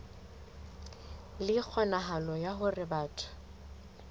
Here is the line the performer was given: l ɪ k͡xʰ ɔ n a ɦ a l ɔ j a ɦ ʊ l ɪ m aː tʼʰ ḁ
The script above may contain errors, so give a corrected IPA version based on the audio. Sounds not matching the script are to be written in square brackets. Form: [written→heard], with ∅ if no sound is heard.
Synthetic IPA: l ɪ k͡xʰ ɔ n a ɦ a l ɔ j a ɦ ʊ [l→r] ɪ [m→b] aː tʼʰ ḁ